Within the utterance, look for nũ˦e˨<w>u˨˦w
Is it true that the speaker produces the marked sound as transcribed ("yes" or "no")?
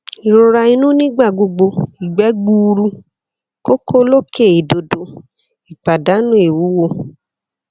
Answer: yes